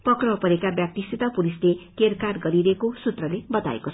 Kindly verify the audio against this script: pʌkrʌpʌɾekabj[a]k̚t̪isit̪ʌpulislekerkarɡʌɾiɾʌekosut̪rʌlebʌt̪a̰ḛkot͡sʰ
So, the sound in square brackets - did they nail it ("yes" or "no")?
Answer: yes